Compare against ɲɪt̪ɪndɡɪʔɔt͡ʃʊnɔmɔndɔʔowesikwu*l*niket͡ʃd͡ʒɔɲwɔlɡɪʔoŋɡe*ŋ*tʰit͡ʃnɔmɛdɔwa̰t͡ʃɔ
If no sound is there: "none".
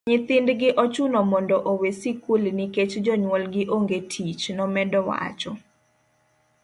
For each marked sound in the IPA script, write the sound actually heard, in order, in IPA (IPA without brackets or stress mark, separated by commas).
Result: l, none